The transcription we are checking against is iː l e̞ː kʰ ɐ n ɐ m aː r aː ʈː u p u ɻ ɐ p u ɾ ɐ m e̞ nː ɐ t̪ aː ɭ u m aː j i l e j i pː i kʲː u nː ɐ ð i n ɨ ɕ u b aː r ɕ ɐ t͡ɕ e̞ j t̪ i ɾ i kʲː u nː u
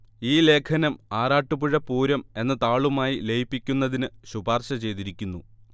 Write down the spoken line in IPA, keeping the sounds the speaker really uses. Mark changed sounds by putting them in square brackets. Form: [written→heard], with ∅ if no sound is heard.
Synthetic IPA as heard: iː l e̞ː kʰ ɐ n ɐ m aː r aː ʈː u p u ɻ ɐ p [u→uː] ɾ ɐ m e̞ nː ɐ t̪ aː ɭ u m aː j i l e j i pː i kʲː u nː ɐ ð i n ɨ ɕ u b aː r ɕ ɐ t͡ɕ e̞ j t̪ i ɾ i kʲː u nː u